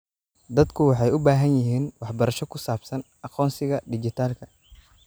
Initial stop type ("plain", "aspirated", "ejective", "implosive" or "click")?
plain